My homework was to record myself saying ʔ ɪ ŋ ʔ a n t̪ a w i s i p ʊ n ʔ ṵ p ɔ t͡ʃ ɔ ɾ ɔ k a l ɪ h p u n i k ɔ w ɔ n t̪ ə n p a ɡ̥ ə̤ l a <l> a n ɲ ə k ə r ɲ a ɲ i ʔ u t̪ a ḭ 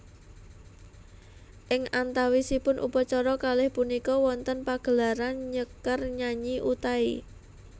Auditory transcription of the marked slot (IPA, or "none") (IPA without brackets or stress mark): ɾ